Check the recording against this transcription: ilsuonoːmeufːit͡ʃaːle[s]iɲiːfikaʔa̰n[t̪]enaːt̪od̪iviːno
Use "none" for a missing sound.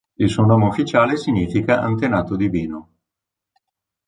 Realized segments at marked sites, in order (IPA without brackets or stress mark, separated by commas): s, t̪